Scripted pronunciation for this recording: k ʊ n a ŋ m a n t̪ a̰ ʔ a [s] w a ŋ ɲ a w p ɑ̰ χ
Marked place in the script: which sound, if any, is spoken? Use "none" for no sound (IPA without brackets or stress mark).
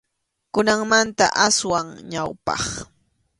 s